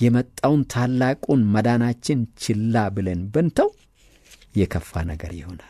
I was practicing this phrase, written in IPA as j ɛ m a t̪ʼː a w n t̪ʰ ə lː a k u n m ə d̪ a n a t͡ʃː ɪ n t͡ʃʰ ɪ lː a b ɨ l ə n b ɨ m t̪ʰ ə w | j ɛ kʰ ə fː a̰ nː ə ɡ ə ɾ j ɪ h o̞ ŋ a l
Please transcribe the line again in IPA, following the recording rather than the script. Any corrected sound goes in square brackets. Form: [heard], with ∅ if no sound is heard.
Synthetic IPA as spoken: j ɛ m [ə] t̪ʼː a w n t̪ʰ [a] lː a [kʼ] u n m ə d̪ a n a t͡ʃː ɪ n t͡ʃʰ ɪ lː a b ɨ l ə n b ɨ [n] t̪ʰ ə w | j ɛ kʰ ə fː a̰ [n] ə ɡ ə ɾ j ɪ h o̞ [n] a l